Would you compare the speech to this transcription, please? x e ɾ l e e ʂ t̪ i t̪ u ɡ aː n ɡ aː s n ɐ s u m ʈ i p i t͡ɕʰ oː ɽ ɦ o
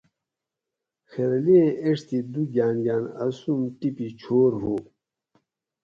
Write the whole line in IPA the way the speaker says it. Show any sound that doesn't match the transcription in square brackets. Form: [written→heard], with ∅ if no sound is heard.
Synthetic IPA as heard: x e ɾ l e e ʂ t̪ i [t̪→d̪] u ɡ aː n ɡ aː [s→∅] n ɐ s u m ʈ i p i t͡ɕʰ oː [ɽ→ɾ] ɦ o

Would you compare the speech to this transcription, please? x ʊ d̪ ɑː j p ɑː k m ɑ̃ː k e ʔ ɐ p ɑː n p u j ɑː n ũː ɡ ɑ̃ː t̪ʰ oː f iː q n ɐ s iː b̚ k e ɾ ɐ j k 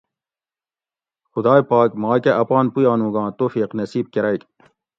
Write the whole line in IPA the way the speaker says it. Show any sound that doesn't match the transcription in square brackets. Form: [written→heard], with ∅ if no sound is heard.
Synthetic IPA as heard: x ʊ d̪ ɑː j p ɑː k m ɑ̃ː k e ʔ ɐ p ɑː n p u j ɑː n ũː ɡ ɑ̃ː [t̪ʰ→t̪] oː f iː q n ɐ s iː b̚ k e ɾ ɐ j k

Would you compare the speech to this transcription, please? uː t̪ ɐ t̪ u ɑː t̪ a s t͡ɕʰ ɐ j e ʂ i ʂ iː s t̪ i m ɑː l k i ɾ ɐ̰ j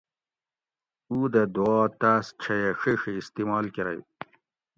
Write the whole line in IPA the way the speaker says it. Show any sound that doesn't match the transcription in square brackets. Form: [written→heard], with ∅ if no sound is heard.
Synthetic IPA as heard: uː [t̪→d̪] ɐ [t̪→d̪] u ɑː t̪ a s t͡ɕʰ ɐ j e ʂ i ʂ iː s t̪ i m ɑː l k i ɾ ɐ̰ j

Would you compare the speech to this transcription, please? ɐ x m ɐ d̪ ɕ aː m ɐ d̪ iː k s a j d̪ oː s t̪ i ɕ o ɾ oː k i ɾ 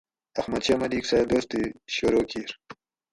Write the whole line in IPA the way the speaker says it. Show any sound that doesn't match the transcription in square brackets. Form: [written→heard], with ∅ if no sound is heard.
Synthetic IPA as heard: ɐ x m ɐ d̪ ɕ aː m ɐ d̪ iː k s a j d̪ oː s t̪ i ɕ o ɾ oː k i ɾ

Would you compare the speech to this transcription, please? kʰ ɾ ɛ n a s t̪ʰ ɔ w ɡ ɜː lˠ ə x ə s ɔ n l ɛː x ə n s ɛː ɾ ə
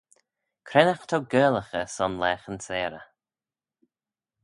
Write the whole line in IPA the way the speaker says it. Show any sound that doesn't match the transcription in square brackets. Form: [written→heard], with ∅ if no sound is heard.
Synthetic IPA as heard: kʰ ɾ ɛ n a [s→x] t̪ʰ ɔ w ɡ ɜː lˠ ə x ə s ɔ n l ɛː x ə n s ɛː ɾ ə

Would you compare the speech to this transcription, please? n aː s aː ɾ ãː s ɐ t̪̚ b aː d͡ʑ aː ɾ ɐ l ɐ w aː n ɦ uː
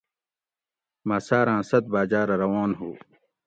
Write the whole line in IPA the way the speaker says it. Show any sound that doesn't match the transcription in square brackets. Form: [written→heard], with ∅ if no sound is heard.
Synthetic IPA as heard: [n→m] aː s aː ɾ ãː s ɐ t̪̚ b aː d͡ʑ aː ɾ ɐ [l→ɾ] ɐ w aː n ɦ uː

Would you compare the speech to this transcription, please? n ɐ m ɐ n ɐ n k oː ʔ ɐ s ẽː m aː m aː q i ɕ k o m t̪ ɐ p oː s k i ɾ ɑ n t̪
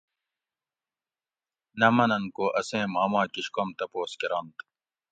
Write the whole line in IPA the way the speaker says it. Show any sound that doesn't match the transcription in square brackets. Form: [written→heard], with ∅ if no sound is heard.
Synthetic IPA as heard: n ɐ m ɐ n ɐ n k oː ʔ ɐ s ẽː m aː m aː [q→k] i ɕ k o m t̪ ɐ p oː s k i ɾ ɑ n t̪

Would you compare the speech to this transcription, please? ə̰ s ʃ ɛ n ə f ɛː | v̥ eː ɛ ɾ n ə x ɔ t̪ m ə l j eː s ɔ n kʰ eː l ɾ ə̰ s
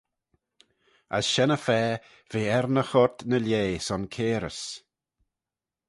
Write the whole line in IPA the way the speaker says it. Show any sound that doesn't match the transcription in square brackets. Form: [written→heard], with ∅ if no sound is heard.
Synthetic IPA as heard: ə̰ s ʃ ɛ n ə f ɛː | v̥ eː ɛ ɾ n ə x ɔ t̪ [m→n] ə l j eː s ɔ n kʰ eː [l→∅] ɾ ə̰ s

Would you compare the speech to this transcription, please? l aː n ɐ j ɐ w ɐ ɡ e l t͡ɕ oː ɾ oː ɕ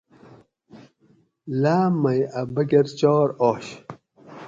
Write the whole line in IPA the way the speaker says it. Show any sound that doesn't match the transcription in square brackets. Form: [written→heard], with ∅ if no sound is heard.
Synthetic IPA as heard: l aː [n→m] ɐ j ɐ [w→b] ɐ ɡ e [l→ɾ] t͡ɕ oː ɾ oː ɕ

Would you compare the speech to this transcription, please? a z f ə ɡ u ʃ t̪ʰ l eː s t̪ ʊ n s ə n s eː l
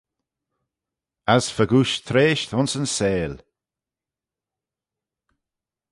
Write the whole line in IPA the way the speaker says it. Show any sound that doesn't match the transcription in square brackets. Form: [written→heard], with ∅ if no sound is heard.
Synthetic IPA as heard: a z f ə ɡ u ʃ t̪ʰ [l→ɾ] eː [s→ʃ] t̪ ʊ n s ə n s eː l

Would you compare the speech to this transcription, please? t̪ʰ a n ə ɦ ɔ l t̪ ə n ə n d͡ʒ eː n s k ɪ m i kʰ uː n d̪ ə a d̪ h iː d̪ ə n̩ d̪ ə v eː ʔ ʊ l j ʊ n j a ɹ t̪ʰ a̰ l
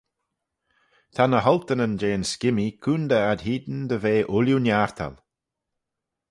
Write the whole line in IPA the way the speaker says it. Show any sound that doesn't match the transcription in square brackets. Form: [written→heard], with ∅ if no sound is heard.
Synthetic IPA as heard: t̪ʰ a n ə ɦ ɔ l t̪ ə n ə n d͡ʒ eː n s k ɪ m i kʰ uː n d̪ ə a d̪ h iː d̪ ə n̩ d̪ ə v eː ʔ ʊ l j [ʊ→u] n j a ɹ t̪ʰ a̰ l

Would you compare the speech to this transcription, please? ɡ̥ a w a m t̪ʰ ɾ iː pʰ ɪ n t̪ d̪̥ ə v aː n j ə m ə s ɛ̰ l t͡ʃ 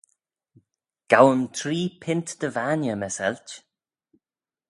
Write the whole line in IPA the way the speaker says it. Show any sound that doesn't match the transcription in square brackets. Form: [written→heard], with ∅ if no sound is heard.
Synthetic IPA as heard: ɡ̥ a w [a→ə] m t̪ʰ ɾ iː pʰ ɪ n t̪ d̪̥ ə v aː n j ə m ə s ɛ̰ l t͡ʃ

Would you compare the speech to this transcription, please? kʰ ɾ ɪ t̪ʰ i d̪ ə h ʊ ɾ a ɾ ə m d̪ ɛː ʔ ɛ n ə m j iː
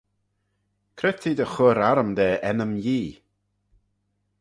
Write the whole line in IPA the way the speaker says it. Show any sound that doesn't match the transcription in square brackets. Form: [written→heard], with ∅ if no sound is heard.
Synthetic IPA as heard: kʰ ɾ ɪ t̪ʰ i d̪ ə [h→x] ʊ ɾ a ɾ ə m d̪ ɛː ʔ ɛ n ə m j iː

